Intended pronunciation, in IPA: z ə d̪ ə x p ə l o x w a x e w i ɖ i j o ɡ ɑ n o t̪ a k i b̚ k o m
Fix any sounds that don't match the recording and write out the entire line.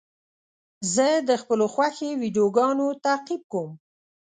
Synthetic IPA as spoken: z ə d̪ ə x p ə l o x w a x e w i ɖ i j o ɡ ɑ n o t̪ a q i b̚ k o m

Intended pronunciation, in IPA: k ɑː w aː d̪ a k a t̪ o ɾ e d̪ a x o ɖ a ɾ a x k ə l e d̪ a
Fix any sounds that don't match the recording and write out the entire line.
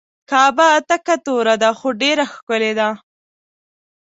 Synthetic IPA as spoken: k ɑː b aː t̪ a k a t̪ o ɾ a d̪ a x o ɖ e ɾ a x k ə l e d̪ a

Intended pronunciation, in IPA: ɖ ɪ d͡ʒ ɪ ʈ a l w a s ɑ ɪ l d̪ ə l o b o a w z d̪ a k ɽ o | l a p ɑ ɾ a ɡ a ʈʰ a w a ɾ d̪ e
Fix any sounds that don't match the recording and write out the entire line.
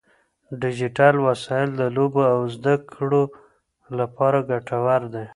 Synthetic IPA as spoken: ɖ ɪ d͡ʒ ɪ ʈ a l w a s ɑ ɪ l d̪ ə l o b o a w z d̪ a k ɽ o | l a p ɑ ɾ a ɡ a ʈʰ a w a ɾ d̪ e

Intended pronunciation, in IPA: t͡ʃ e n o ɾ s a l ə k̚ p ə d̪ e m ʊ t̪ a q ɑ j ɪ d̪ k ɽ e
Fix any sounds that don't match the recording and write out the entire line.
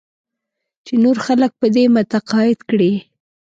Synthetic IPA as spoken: t͡ʃ e n o ɾ x a l ə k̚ p ə d̪ e m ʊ t̪ a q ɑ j ɪ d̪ k ɽ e

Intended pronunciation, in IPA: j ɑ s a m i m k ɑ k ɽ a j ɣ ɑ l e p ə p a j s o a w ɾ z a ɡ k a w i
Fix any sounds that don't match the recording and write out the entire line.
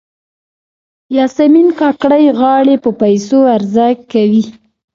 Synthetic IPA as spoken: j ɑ s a m i n k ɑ k ɽ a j ɣ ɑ ɽ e p ə p a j s o a ɾ z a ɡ k a w i

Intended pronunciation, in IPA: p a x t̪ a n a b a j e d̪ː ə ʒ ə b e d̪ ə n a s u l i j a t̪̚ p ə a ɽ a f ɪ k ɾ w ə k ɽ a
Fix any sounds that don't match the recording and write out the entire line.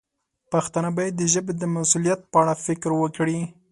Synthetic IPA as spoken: p a x t̪ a n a b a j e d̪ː ə ʒ ə b e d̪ ə m a s u l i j a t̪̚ p ə a ɽ a f ɪ k ɾ w ə k ɽ i

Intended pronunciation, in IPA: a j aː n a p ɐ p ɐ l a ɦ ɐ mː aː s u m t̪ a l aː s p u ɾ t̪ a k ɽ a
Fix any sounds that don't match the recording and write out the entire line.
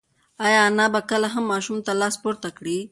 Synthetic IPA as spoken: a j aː n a b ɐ k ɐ l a ɦ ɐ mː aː ʃ u m t̪ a l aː s p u ɾ t̪ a k ɽ i

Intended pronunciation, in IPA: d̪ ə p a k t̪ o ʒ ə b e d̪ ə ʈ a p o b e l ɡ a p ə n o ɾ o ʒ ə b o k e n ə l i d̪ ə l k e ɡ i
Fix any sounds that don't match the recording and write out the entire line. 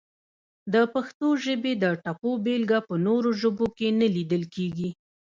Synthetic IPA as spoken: d̪ ə p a x t̪ o ʒ ə b e d̪ ə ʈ a p o b e l ɡ a p ə n o ɾ o ʒ ə b o k e n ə l i d̪ ə l k e ɡ i

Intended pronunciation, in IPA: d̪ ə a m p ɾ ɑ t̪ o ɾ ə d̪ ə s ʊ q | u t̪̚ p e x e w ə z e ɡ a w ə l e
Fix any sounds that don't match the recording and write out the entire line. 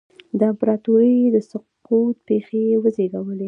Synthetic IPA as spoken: d̪ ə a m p ɾ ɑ t̪ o ɾ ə d̪ ə s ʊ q | u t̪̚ p e x e w ə z e ɡ a w ə l e

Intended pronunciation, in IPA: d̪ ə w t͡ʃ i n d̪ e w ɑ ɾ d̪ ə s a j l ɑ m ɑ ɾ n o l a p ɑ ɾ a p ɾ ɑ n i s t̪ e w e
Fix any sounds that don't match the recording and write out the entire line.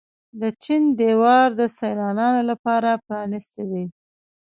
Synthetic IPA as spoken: d̪ ə t͡ʃ i n d̪ e w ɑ ɾ d̪ ə s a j l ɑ n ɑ n o l a p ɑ ɾ a p ɾ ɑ n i s t̪ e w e

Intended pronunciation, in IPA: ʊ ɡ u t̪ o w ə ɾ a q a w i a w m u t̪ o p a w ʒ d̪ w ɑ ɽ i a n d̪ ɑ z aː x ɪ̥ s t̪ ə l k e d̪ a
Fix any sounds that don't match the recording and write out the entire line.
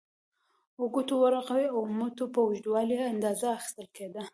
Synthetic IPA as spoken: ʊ ɡ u t̪ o w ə ɾ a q a w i a w m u t̪ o p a w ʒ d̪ w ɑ l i a n d̪ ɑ z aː x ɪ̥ s t̪ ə l k e d̪ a

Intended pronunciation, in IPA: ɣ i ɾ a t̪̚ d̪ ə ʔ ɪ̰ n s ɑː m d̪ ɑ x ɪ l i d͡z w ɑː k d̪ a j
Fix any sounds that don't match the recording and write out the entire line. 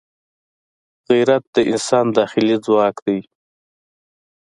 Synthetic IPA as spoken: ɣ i ɾ a t̪̚ d̪ ə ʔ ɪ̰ n s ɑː n d̪ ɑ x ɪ l i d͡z w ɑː k d̪ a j

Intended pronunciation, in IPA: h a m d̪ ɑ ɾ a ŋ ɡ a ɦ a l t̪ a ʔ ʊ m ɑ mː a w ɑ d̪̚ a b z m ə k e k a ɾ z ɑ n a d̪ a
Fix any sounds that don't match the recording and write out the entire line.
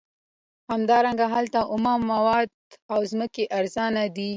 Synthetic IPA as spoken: h a m d̪ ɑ ɾ a ŋ ɡ a ɦ a l t̪ a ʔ ʊ m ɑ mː a w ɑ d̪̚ a w z m ə k e ʔ a ɾ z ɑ n a d̪ i

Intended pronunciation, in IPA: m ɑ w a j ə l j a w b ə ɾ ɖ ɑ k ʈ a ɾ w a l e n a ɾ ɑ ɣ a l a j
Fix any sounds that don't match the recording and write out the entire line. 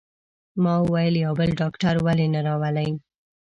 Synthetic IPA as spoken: m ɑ w a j ə l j a w b ə l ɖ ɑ k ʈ a ɾ w a l e n a ɾ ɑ w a l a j

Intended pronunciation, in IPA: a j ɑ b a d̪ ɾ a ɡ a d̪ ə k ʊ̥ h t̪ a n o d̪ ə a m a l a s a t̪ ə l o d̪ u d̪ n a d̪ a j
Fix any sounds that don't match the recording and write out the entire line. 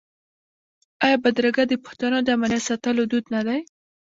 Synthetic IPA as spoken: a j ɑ b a d̪ ɾ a ɡ a d̪ ə p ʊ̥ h t̪ a n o d̪ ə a m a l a s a t̪ ə l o d̪ u d̪ n a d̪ a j

